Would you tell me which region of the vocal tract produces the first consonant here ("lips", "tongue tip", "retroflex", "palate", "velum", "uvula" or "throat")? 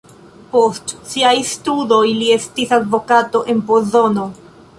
lips